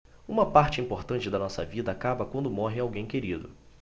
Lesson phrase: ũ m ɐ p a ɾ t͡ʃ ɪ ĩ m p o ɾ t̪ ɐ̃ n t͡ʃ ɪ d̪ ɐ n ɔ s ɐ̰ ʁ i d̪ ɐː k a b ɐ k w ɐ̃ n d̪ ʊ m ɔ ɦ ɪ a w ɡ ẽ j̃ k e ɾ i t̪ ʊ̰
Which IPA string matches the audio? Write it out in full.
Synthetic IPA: ũ m ɐ p a ɾ t͡ʃ ɪ ĩ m p o ɾ t̪ ɐ̃ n t͡ʃ ɪ d̪ ɐ n ɔ s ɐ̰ v i d̪ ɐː k a b ɐ k w ɐ̃ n d̪ ʊ m ɔ ɦ ɪ a w ɡ ẽ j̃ k e ɾ i d̪ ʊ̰